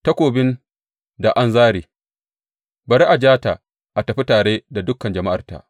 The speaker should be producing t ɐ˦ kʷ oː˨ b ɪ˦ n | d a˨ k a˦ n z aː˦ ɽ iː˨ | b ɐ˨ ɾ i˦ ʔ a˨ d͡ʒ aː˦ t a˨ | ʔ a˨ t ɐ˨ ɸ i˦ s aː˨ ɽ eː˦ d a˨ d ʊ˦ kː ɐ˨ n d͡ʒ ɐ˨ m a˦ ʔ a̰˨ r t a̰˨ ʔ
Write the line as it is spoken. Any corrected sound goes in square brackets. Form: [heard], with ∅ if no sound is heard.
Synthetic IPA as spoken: t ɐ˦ kʷ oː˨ b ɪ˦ n | d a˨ [ʔ] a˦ n z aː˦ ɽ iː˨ | b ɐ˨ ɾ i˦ ʔ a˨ d͡ʒ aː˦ t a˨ | ʔ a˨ t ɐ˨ ɸ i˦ [t] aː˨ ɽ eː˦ d a˨ d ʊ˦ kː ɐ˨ n d͡ʒ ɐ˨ m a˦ ʔ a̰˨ r t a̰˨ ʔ